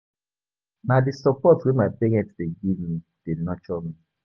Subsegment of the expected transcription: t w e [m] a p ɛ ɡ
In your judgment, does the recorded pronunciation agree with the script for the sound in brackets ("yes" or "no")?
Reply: yes